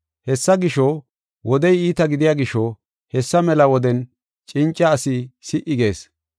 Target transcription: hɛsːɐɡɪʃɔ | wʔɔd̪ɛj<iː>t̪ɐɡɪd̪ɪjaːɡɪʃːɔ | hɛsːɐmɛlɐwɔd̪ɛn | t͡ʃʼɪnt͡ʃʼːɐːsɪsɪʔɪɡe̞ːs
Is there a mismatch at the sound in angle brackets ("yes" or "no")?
no